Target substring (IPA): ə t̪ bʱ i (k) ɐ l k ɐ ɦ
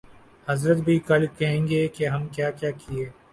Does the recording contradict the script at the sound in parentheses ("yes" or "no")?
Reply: no